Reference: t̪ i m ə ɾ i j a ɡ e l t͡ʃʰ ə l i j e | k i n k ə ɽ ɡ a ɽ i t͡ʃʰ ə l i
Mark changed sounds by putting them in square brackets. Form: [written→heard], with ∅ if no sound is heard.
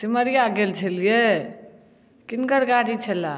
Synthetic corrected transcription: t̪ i m ə ɾ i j a ɡ e l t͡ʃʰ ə l i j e | k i n k ə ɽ ɡ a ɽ i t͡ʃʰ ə l [i→a]

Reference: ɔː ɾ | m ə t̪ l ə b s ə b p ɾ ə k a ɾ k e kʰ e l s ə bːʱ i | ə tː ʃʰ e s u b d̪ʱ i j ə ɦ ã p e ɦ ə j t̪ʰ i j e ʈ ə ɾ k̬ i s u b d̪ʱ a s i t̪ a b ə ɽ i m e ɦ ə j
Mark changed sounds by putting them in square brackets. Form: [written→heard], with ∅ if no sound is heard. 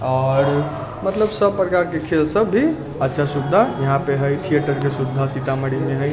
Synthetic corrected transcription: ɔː ɾ | m ə t̪ l ə b s ə b p ɾ ə k a ɾ k e kʰ e l s ə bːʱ i | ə tː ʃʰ [e→a] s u b d̪ʱ [i→a] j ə ɦ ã p e ɦ ə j t̪ʰ i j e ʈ ə ɾ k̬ [i→e] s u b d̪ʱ a s i t̪ a [b→m] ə ɽ i m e ɦ ə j

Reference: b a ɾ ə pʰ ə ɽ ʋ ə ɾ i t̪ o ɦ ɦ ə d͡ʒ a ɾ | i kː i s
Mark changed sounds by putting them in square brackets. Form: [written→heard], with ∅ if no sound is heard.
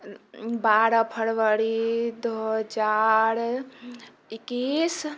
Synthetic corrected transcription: b a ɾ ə pʰ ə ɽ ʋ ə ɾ i [t̪→d̪] o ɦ ɦ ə d͡ʒ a ɾ | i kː i s

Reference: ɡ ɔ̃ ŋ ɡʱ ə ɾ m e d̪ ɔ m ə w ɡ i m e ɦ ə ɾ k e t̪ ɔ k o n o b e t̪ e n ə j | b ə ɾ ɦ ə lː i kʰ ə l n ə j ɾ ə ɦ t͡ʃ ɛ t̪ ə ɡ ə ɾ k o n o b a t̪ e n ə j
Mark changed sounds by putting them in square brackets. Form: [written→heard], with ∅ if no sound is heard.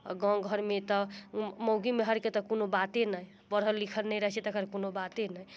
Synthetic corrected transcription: ɡ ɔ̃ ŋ ɡʱ ə ɾ m e [d̪→t̪] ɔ m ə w ɡ i m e ɦ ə ɾ k e t̪ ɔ k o n o b [e→a] t̪ e n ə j | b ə ɾ ɦ ə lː i kʰ ə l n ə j ɾ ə ɦ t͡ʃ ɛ t̪ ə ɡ ə ɾ k o n o b a t̪ e n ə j

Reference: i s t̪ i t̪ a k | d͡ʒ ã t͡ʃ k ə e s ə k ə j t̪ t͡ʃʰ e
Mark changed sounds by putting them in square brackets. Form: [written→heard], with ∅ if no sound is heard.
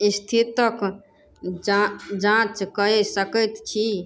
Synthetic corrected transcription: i s [t̪→t̪ʰ] i t̪ [a→ə] k | d͡ʒ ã t͡ʃ k ə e s ə k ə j t̪ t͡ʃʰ [e→i]

